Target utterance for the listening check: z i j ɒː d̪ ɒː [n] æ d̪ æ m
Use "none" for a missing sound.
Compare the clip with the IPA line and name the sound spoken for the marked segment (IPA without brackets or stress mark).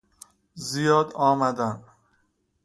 m